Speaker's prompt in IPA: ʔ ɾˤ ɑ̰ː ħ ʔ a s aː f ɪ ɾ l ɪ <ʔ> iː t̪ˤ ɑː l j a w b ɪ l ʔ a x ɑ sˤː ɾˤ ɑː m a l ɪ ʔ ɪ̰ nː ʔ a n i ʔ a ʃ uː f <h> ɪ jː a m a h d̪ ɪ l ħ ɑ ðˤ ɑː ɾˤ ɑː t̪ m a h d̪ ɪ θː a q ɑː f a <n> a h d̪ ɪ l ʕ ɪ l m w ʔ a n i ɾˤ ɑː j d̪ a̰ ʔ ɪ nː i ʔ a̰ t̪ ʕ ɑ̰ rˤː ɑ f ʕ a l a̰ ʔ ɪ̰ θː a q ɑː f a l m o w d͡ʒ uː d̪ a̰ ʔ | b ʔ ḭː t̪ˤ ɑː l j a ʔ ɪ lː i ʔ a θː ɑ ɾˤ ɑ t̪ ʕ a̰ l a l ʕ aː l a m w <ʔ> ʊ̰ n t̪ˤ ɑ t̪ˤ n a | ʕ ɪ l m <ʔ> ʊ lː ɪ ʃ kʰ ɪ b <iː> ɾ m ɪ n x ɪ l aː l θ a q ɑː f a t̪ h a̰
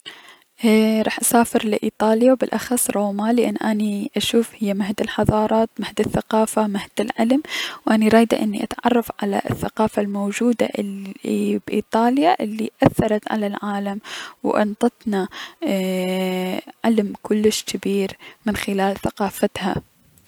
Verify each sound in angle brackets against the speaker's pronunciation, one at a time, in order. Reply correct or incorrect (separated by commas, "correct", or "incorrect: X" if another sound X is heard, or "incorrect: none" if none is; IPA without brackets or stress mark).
correct, correct, incorrect: m, correct, incorrect: k, correct